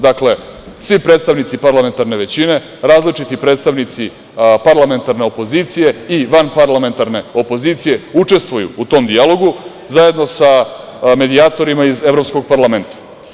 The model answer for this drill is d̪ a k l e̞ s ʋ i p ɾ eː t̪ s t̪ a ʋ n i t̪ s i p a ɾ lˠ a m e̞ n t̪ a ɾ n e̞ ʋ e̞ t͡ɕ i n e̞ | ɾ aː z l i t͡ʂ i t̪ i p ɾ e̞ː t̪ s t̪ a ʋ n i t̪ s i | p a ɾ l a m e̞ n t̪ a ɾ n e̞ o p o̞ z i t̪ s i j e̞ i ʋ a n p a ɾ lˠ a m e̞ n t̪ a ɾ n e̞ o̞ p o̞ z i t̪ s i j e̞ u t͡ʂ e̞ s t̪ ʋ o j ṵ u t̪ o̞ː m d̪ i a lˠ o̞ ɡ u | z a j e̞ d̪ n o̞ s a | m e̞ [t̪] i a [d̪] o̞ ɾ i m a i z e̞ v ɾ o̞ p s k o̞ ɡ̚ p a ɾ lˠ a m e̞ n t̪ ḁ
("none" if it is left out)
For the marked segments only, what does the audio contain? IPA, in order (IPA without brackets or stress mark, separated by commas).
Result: d̪, t̪